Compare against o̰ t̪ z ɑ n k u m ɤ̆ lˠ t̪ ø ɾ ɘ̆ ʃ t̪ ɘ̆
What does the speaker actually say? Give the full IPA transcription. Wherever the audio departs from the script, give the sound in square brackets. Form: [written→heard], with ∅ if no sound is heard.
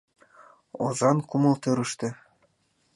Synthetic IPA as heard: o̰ [t̪→∅] z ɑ n k u m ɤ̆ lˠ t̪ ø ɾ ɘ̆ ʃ t̪ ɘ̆